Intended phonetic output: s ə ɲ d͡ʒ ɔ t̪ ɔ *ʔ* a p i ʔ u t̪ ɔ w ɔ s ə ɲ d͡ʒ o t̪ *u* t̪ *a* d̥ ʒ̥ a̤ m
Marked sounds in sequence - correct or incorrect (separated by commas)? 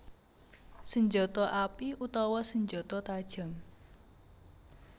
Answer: correct, incorrect, correct